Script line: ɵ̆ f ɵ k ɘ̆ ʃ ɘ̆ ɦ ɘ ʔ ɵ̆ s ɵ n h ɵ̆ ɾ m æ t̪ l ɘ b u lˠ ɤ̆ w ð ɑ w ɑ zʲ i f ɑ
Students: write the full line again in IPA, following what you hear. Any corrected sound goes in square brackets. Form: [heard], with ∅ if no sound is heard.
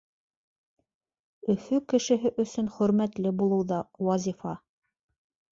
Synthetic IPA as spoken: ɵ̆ f ɵ k ɘ̆ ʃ ɘ̆ ɦ ɘ ʔ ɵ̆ s ɵ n [χ] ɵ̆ ɾ m æ t̪ l ɘ b u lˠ ɤ̆ w ð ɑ w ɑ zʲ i f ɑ